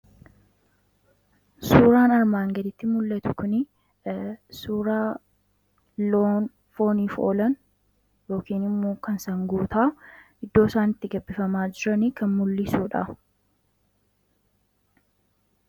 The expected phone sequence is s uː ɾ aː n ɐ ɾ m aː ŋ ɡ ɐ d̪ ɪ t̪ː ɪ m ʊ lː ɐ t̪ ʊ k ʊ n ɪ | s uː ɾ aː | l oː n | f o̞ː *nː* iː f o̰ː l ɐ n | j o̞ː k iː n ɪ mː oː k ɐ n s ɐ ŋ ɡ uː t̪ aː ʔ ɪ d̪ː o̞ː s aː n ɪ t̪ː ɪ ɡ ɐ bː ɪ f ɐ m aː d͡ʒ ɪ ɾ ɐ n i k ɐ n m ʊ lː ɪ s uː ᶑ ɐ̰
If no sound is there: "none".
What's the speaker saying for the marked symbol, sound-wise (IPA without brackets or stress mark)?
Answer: n